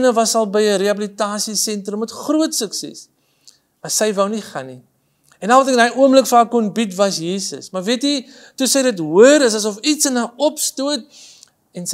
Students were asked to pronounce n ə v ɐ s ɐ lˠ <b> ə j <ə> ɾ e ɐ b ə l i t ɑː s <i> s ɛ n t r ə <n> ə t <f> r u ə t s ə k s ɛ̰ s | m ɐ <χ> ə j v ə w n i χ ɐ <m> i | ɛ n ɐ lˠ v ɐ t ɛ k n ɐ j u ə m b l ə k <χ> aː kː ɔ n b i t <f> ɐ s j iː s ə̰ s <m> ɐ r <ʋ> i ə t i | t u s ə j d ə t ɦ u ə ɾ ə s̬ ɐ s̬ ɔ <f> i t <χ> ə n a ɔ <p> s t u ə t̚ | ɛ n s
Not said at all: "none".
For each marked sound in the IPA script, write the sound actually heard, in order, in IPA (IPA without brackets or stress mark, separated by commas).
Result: b, ə, i, m, χ, s, n, f, v, m, v, f, s, p